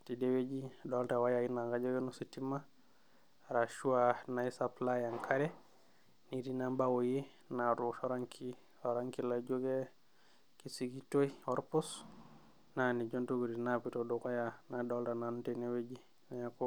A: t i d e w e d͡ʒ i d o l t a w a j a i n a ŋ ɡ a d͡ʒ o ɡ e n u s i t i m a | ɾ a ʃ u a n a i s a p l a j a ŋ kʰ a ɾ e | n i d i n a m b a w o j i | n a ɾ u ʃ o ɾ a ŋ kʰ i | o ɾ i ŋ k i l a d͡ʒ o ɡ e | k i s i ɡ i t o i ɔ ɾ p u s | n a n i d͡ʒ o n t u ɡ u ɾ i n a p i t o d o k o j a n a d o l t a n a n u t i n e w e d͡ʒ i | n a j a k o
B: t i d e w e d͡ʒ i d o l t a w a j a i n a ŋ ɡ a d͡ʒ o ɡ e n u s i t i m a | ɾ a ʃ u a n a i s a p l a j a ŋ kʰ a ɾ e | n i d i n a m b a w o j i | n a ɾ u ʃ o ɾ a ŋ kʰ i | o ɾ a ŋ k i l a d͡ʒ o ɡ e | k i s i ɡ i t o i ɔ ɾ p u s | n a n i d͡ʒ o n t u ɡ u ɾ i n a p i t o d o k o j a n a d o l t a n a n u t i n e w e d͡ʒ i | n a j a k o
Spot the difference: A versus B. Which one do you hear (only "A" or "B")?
B